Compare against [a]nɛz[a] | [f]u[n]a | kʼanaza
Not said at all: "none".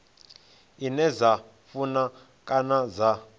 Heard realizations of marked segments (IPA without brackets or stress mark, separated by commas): i, a, f, n